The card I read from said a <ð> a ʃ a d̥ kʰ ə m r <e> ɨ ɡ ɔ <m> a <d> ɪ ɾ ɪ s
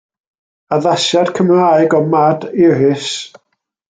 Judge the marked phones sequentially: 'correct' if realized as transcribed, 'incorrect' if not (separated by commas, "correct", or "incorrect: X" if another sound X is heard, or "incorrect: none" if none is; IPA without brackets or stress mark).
correct, incorrect: a, correct, correct